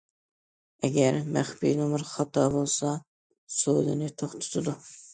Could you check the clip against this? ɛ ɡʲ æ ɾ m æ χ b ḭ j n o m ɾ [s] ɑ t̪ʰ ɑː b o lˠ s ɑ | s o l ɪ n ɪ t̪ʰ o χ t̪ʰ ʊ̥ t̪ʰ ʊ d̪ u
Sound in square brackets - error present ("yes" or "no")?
yes